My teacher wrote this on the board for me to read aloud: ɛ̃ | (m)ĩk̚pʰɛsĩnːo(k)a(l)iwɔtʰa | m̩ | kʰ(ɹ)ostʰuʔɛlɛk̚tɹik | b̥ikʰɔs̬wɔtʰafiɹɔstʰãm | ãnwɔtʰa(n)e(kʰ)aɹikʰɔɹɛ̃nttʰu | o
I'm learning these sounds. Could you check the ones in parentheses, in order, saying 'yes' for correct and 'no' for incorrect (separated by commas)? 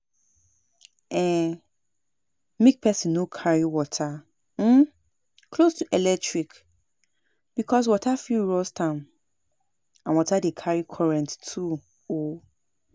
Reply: yes, no, no, no, no, yes